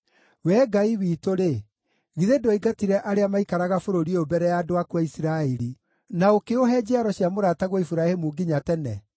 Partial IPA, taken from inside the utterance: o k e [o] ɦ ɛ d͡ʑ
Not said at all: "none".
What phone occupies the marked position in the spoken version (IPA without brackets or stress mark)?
o